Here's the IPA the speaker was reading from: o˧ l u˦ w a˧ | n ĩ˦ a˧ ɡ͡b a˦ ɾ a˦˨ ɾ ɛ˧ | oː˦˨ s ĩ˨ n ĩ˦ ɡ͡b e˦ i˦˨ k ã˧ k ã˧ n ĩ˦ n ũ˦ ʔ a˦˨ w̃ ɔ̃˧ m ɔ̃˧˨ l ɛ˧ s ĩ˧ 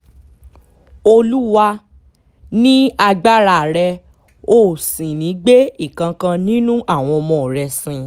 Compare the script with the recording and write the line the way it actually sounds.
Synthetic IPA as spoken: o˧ l u˦ w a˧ | n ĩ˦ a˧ ɡ͡b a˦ ɾ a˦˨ ɾ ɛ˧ | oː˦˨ s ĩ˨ n ĩ˨˦ ɡ͡b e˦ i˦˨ k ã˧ k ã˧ n ĩ˦ n ũ˦ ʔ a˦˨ w̃ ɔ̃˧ m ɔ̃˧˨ ɾ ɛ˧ s ĩ˧

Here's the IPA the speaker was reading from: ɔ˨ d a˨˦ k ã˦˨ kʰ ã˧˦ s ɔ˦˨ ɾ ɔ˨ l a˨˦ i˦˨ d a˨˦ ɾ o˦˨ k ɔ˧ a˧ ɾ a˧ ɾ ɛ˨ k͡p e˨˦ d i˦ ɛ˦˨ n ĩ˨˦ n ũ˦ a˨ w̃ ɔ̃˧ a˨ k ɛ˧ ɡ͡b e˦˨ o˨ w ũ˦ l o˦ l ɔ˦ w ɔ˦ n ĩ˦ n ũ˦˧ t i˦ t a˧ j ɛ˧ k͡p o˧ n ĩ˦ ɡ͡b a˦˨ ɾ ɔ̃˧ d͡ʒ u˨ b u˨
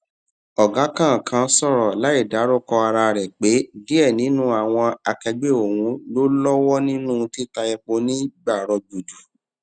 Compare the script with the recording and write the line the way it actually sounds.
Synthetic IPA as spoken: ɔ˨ ɡ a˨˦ k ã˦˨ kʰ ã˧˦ s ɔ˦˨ ɾ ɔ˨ l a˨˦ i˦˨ d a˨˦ ɾ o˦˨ k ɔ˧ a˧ ɾ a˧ ɾ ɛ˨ k͡p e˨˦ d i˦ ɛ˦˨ n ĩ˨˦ n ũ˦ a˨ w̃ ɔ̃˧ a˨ k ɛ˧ ɡ͡b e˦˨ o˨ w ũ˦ l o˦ l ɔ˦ w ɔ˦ n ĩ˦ n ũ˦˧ t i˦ t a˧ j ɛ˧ k͡p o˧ n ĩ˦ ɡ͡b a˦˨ ɾ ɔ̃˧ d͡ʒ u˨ d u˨

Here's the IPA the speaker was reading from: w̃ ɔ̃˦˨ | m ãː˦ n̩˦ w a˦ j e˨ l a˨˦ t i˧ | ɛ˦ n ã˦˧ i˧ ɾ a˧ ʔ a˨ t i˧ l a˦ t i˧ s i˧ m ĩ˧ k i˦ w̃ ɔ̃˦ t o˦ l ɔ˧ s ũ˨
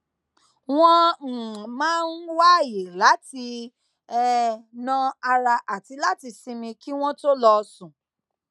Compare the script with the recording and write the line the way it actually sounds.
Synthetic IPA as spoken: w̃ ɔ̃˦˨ | m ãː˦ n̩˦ w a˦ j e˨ l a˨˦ t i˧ | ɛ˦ n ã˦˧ a˧ ɾ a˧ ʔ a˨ t i˧ l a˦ t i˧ s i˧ m ĩ˧ k i˦ w̃ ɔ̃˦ t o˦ l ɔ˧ s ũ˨

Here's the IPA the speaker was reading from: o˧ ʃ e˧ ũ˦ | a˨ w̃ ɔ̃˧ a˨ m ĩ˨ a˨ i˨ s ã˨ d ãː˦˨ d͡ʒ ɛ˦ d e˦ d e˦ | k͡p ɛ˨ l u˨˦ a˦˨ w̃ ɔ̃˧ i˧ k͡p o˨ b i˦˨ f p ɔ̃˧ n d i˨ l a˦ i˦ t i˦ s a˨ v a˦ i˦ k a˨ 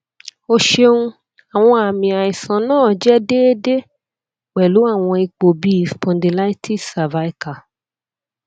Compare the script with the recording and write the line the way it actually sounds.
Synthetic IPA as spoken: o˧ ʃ e˧ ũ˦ | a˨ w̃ ɔ̃˧ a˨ m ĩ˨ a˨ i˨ s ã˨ n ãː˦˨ d͡ʒ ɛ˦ d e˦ d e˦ | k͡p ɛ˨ l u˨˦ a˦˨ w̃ ɔ̃˧ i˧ k͡p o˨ b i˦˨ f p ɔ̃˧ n d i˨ l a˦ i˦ t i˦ s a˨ v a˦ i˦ k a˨

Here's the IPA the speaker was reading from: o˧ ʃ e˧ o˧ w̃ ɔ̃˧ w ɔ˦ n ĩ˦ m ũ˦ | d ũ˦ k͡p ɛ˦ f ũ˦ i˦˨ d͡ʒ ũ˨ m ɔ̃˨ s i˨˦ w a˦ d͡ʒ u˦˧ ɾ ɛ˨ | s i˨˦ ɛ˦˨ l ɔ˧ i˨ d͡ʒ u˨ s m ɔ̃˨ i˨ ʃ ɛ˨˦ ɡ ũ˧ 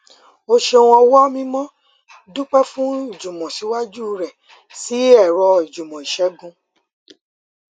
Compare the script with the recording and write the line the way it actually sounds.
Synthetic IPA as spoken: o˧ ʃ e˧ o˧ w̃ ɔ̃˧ w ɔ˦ m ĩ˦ m ɔ̃˦ | d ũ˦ k͡p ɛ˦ f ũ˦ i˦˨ d͡ʒ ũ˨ m ɔ̃˨ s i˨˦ w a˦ d͡ʒ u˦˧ ɾ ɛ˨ | s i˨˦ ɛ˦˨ ɾ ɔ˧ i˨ d͡ʒ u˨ m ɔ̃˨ i˨ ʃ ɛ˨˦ ɡ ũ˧

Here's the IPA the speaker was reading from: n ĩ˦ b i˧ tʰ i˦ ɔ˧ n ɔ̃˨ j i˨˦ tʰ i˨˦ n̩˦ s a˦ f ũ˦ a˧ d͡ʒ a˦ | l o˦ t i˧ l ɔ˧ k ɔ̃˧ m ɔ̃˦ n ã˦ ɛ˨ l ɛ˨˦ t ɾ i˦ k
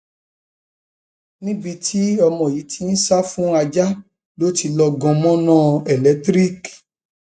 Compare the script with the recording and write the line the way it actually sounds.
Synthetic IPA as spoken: n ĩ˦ b i˧ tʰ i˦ ɔ˧ m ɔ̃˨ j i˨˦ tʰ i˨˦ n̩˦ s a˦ f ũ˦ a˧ d͡ʒ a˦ | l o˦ t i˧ l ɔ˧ ɡ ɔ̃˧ m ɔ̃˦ n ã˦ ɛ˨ l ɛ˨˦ t ɾ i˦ k

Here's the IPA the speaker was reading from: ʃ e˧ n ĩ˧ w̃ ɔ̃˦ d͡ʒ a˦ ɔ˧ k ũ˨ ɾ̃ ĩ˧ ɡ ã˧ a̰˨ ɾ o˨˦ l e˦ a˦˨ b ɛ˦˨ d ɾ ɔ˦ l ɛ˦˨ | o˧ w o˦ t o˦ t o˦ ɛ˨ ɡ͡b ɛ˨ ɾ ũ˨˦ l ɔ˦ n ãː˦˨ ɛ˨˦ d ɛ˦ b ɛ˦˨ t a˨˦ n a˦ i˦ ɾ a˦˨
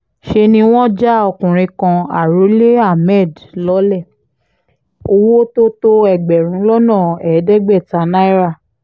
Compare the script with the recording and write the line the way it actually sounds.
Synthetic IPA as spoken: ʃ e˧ n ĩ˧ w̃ ɔ̃˦ d͡ʒ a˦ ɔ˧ k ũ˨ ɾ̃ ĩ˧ k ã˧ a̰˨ ɾ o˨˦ l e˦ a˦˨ m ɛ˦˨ d l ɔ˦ l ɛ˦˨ | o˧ w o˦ t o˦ t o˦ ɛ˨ ɡ͡b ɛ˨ ɾ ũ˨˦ l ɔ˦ n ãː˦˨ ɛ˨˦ d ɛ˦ ɡ͡b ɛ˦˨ t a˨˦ n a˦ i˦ ɾ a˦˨

